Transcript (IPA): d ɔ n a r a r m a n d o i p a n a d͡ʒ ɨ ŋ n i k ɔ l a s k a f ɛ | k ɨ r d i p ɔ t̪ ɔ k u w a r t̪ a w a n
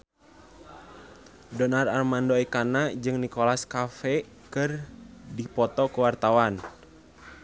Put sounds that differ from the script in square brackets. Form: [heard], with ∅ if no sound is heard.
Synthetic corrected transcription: d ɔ n a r a r m a n d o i [k] a n a d͡ʒ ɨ ŋ n i k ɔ l a s k a f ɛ | k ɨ r d i p ɔ t̪ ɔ k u w a r t̪ a w a n